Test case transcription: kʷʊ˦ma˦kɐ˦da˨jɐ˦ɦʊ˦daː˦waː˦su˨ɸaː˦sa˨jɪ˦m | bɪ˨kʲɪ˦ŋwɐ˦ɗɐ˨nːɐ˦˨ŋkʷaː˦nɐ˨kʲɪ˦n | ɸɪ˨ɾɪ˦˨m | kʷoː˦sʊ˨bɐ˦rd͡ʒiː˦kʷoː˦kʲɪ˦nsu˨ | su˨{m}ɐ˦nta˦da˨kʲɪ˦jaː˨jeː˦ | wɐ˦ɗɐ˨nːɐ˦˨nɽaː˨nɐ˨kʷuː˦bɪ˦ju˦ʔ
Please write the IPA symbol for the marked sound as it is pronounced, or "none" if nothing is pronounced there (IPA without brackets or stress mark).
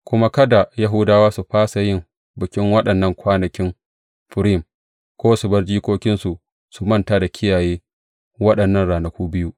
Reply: m